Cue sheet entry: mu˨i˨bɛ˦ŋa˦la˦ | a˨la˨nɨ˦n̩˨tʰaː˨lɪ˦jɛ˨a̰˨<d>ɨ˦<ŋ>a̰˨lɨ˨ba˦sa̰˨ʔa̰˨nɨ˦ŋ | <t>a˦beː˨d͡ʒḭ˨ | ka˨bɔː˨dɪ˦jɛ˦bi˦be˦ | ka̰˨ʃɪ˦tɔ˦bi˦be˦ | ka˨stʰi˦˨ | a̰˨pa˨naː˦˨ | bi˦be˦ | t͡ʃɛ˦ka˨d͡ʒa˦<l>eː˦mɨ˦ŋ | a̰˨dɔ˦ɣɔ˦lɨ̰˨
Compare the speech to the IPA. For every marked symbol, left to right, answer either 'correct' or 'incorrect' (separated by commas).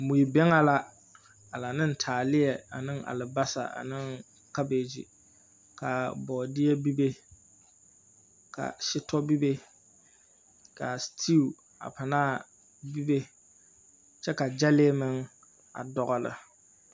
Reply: incorrect, correct, incorrect, correct